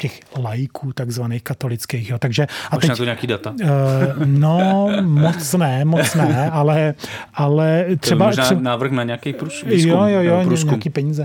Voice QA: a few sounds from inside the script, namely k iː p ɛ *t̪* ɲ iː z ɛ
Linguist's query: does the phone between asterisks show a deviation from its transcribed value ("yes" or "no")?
yes